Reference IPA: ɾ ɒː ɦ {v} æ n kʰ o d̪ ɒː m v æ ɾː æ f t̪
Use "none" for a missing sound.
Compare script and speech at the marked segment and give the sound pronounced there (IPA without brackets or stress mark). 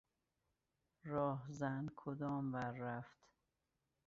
z